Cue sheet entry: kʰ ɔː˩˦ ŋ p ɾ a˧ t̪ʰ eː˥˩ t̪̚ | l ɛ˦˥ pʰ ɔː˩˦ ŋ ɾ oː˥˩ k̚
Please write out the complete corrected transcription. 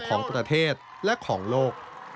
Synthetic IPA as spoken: kʰ ɔː˩˦ ŋ p ɾ a˧ t̪ʰ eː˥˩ t̪̚ | l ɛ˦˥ kʰ ɔː˩˦ ŋ l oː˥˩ k̚